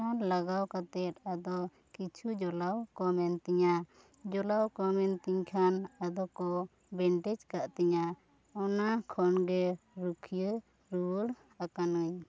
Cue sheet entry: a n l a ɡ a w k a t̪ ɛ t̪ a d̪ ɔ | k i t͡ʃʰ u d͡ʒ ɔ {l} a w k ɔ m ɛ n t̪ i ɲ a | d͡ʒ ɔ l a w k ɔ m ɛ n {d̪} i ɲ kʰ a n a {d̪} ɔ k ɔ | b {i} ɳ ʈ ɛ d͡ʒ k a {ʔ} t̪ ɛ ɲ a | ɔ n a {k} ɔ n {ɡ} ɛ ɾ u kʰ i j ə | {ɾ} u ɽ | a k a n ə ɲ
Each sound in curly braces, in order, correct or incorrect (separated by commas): correct, incorrect, correct, incorrect, correct, incorrect, correct, correct